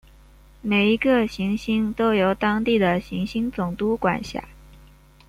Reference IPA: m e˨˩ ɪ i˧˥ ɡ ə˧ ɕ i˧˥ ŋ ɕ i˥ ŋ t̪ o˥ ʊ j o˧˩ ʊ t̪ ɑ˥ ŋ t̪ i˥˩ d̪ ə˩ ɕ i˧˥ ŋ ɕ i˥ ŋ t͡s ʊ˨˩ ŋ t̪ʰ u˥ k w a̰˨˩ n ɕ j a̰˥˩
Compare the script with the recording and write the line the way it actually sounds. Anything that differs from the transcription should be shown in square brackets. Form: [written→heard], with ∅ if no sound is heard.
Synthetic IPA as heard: m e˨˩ ɪ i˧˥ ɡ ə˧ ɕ i˧˥ ŋ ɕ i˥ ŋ t̪ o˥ ʊ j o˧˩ ʊ t̪ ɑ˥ ŋ t̪ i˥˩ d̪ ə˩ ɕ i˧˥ ŋ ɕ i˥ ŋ t͡s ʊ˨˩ ŋ [t̪ʰ→t̪] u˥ k w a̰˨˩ n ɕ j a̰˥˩